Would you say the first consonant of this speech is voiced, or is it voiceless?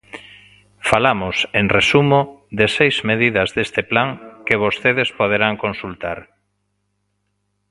voiceless